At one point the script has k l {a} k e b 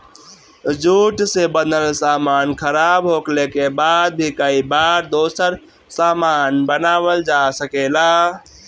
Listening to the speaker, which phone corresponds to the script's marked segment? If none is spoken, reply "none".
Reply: e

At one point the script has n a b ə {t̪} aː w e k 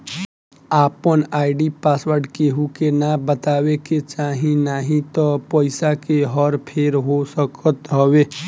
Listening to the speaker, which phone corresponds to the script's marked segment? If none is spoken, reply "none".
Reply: t̪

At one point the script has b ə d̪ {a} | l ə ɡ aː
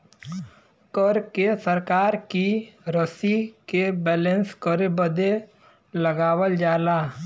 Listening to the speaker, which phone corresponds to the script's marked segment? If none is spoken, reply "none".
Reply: e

